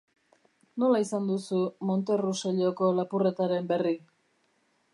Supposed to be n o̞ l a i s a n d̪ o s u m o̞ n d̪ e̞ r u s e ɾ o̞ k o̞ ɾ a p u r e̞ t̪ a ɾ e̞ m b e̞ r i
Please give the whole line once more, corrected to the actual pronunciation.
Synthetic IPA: n o̞ l a i s a n d̪ u s u m o̞ n t̪ e̞ r u s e ʎ o̞ k o̞ l a p u r e̞ t̪ a ɾ e̞ m b e̞ r i